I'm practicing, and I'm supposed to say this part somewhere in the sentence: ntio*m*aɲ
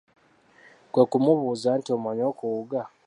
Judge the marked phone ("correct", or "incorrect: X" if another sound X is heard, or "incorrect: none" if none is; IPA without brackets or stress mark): correct